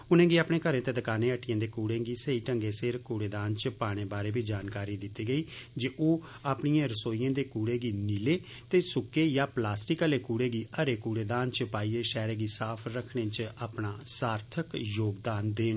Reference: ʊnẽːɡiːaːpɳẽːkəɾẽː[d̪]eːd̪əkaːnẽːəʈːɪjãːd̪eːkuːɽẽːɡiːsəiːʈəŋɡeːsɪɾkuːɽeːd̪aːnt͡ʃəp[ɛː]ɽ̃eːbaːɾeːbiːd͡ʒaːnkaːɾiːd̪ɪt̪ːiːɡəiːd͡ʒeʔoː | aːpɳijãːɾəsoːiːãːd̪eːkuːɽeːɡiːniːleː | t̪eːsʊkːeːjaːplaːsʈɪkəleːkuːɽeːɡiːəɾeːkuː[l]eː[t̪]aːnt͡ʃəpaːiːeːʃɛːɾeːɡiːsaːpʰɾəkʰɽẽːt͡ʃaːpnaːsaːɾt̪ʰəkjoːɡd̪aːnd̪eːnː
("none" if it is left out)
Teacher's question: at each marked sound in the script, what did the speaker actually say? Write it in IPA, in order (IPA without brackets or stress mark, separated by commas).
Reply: t̪, aː, ɽ, d̪